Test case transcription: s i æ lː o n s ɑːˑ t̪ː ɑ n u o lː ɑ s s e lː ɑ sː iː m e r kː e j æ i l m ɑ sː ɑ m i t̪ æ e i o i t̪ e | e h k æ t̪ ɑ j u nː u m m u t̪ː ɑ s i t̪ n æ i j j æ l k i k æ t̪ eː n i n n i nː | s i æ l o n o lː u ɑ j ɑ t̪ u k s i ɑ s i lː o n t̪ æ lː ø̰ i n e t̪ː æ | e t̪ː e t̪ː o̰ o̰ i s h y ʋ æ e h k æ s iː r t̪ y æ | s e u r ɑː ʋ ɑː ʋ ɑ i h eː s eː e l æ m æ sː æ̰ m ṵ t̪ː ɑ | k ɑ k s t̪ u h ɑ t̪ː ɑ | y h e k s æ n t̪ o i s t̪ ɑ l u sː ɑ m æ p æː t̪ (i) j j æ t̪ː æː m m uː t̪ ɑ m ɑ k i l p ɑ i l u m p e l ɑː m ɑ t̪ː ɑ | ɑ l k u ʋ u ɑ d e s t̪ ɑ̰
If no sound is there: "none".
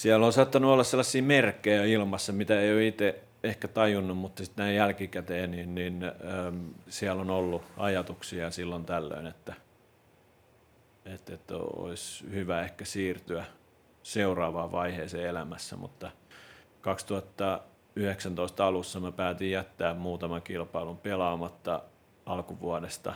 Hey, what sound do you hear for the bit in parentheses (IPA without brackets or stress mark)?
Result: i